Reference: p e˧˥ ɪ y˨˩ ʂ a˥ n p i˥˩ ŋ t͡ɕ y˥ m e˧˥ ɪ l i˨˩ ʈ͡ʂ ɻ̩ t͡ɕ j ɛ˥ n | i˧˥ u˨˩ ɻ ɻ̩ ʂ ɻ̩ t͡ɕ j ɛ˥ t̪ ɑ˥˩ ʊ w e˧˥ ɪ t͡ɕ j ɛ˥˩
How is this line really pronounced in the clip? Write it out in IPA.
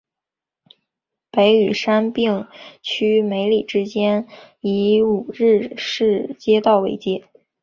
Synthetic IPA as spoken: p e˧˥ ɪ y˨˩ ʂ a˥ n p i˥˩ ŋ t͡ɕʰ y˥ m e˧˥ ɪ l i˨˩ ʈ͡ʂ ɻ̩ t͡ɕ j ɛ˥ n | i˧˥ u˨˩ ɻ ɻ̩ ʂ ɻ̩ t͡ɕ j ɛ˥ t̪ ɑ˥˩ ʊ w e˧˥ ɪ t͡ɕ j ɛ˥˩